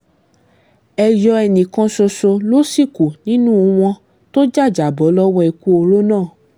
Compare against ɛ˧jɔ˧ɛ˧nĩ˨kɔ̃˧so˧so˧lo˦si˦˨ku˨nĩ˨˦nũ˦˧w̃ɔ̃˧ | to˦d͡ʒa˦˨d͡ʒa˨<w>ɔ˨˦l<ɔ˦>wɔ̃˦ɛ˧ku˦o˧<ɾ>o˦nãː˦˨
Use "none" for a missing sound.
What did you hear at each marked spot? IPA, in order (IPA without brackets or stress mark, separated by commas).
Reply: b, ɔ˦, ɾ